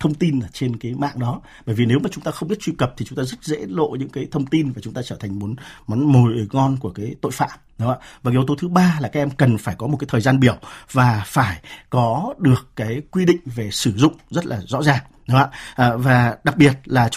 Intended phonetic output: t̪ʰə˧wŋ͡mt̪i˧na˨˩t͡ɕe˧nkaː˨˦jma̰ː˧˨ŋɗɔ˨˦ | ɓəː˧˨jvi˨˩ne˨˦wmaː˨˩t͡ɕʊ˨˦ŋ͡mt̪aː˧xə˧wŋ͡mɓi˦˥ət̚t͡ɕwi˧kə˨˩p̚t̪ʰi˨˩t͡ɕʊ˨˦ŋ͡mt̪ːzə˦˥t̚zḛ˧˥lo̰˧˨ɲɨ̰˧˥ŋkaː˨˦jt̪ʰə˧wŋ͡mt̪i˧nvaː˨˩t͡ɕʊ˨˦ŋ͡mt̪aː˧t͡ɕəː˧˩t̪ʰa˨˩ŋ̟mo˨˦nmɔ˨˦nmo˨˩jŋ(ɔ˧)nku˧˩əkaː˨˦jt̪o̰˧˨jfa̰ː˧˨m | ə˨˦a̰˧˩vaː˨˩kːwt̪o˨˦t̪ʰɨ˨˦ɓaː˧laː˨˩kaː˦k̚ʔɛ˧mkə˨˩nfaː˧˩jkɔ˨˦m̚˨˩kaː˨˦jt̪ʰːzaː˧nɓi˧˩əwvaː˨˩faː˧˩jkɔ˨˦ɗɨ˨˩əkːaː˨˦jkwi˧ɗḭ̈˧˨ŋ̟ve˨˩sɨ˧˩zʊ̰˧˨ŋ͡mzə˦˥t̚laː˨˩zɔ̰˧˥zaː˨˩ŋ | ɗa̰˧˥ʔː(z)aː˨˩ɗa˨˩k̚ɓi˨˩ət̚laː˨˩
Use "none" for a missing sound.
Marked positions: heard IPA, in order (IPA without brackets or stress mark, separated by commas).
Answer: ɔ˧, v